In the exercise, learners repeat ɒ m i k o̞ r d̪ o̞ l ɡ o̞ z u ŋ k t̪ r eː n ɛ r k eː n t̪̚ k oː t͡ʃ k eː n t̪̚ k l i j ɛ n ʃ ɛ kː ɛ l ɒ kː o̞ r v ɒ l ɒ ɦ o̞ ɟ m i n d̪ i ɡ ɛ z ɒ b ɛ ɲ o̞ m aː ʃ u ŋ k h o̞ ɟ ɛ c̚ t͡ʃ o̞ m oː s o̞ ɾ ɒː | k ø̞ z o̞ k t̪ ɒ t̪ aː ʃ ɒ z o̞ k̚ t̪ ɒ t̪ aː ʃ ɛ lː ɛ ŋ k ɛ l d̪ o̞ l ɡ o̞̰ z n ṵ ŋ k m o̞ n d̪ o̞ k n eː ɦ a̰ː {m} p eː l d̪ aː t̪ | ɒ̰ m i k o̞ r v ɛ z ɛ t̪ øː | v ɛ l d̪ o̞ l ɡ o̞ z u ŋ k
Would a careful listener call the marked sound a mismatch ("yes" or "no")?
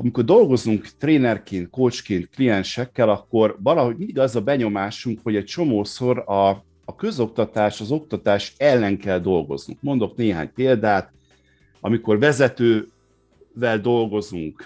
yes